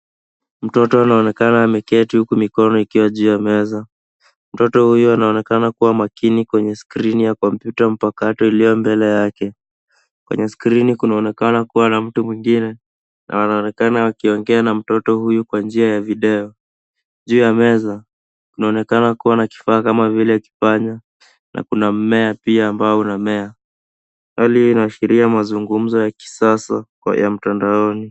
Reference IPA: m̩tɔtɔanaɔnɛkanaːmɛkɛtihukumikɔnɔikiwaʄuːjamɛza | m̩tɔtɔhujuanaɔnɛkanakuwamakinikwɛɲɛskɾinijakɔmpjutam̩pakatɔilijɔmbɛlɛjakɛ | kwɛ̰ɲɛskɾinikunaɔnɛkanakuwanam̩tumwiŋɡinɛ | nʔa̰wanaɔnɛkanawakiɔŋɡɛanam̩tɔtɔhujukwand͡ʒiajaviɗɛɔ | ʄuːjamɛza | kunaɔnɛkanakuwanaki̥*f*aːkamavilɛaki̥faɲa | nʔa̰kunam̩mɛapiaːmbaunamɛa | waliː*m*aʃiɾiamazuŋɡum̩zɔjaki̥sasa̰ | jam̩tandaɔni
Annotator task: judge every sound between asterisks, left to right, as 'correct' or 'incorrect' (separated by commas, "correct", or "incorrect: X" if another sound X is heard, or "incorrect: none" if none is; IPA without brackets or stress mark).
correct, incorrect: n